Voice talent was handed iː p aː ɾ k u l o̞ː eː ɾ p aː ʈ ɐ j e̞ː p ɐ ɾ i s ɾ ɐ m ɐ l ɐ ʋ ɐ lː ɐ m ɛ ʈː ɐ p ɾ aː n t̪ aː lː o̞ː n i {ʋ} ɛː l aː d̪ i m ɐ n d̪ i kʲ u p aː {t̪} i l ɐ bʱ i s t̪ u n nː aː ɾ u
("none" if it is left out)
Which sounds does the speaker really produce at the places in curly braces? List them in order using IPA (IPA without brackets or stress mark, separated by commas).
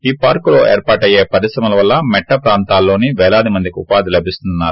ʋ, d̪